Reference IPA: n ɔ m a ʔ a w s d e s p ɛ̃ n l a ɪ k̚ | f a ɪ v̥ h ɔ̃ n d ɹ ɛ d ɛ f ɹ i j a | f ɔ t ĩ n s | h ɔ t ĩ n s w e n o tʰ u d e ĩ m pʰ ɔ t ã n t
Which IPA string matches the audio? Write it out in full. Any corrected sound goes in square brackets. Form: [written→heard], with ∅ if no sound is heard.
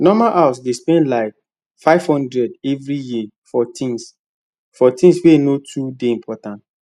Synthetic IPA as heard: n ɔ m a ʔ a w s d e s p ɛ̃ n l a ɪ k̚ | f a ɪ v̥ h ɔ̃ n d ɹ ɛ d ɛ [f→v] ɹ i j [a→i] | f ɔ t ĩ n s | [h→f] ɔ t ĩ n s w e n o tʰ u d e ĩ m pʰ ɔ t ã n t